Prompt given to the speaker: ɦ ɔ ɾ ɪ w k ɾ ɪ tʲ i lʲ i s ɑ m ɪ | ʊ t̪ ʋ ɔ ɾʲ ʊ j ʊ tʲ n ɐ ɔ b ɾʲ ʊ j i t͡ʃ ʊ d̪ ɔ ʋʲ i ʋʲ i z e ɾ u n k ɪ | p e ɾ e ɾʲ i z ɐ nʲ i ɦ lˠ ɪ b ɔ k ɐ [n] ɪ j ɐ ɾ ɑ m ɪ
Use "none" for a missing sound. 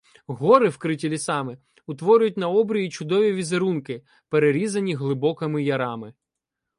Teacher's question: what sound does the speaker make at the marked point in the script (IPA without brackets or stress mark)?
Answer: m